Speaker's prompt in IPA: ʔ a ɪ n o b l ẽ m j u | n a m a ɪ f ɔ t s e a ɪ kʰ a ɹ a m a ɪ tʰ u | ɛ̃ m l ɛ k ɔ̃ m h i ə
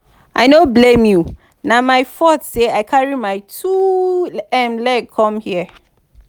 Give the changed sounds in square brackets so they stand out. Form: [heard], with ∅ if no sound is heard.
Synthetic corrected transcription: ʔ a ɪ n o b l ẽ m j u | n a m a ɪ f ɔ t s e a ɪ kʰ a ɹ [i] m a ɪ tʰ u | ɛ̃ m l ɛ [kʰ] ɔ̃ m h i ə